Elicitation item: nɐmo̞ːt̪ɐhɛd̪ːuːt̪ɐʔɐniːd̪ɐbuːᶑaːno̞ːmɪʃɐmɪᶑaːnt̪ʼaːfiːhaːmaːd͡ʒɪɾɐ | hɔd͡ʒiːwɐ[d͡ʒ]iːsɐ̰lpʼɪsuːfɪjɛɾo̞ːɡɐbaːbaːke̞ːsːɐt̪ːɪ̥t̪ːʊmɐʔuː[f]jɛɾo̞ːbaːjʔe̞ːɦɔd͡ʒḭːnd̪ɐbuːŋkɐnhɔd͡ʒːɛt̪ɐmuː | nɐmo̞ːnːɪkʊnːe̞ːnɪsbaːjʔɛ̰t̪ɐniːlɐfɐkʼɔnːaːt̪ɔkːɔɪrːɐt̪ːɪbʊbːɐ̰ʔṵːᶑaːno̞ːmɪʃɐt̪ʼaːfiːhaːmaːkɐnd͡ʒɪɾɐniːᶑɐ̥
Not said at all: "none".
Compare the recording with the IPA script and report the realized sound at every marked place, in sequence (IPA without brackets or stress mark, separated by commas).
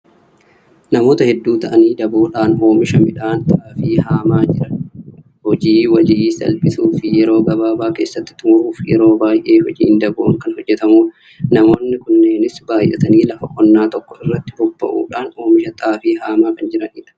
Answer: d͡ʒ, f